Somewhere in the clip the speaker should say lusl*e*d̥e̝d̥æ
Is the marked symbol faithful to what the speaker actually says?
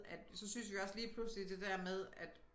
no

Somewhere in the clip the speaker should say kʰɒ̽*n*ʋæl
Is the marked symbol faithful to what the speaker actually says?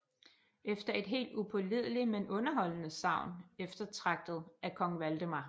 no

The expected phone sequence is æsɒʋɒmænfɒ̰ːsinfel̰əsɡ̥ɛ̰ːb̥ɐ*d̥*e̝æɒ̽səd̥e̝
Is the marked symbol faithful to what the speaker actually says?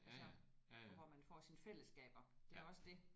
yes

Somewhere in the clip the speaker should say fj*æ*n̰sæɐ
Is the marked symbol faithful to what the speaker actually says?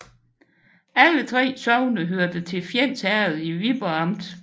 no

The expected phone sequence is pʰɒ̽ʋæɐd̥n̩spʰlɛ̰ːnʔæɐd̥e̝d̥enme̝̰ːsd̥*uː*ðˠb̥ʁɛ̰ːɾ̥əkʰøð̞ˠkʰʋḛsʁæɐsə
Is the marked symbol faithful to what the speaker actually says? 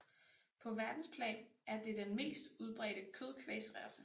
no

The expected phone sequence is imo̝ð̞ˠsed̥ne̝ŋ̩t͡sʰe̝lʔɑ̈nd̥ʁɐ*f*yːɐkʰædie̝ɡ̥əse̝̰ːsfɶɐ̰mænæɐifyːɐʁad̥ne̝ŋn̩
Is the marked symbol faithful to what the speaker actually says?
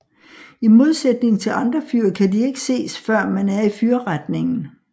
yes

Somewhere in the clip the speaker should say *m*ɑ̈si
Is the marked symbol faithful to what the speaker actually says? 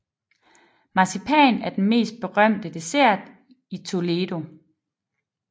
yes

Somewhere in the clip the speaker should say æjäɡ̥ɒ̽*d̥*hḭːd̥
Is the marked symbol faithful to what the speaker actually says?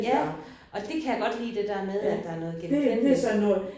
yes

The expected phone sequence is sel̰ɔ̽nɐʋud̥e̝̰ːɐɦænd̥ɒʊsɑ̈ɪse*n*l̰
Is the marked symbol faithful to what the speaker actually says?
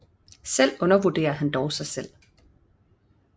no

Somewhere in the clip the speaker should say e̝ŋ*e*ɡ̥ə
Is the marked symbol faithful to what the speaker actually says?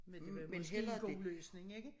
yes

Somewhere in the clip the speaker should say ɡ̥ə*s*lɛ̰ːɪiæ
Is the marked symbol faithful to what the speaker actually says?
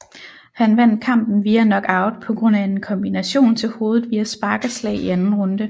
yes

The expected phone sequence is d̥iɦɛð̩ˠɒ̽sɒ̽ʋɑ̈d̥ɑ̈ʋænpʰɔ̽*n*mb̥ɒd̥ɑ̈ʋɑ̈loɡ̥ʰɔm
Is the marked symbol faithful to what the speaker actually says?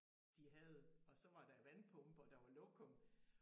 no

